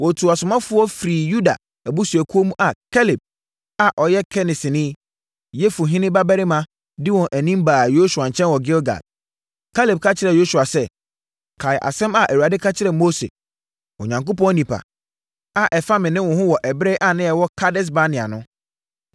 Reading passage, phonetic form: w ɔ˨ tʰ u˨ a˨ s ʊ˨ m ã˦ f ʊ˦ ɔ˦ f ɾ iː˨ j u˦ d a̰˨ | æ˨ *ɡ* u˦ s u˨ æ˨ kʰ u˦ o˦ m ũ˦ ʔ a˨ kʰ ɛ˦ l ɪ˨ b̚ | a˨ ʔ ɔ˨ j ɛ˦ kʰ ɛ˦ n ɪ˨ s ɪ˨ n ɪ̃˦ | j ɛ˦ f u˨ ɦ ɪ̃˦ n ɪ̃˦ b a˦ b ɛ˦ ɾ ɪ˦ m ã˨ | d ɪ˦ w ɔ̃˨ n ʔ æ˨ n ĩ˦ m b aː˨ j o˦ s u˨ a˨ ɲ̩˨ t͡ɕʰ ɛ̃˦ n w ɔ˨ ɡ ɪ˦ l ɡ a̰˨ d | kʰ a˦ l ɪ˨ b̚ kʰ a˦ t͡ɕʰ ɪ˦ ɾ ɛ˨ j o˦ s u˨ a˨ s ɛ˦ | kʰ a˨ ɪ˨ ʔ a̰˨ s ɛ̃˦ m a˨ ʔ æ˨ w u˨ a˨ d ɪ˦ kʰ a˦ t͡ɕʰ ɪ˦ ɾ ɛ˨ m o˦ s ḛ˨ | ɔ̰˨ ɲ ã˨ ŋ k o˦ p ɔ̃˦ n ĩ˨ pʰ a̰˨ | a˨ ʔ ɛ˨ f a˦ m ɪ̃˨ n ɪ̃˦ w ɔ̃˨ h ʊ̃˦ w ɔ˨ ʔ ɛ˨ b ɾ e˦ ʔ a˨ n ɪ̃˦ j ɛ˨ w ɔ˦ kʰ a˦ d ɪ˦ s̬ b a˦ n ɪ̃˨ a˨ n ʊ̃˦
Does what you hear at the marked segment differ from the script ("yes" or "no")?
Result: yes